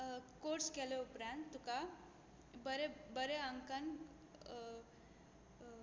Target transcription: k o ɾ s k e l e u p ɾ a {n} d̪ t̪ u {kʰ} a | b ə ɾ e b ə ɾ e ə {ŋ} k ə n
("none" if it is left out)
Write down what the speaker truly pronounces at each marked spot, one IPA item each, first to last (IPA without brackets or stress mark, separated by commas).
n, k, ŋ